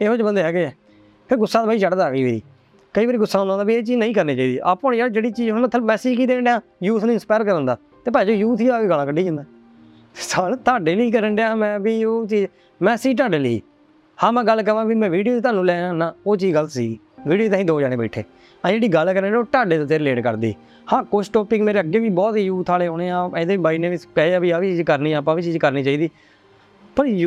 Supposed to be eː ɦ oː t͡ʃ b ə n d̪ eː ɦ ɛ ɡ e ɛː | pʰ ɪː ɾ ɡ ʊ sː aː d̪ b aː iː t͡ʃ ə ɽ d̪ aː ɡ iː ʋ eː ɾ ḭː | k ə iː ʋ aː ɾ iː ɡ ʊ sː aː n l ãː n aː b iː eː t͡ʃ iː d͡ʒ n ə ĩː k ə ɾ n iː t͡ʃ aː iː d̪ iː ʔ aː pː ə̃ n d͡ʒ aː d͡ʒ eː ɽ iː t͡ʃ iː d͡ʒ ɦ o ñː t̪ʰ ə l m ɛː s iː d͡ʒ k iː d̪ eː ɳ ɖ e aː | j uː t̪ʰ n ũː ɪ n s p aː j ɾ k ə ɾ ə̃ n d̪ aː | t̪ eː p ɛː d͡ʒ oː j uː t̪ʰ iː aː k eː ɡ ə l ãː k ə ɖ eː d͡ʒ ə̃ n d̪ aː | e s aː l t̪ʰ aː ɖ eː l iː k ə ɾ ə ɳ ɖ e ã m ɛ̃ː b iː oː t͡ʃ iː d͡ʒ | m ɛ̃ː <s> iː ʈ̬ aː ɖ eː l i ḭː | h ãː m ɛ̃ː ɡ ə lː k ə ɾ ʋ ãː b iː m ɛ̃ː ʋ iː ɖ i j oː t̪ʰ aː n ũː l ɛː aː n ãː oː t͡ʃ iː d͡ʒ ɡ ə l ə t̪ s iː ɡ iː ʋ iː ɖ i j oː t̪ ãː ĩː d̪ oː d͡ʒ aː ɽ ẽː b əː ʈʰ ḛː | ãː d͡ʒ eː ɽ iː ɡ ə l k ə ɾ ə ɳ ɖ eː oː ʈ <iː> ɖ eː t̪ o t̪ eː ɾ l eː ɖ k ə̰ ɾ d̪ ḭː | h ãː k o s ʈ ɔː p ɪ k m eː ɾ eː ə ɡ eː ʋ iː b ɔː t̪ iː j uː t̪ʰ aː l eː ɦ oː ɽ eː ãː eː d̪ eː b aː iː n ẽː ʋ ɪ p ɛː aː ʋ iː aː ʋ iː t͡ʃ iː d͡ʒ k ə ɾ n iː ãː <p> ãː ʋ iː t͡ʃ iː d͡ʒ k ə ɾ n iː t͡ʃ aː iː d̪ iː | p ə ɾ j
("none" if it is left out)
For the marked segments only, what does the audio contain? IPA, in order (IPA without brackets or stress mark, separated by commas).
s, aː, p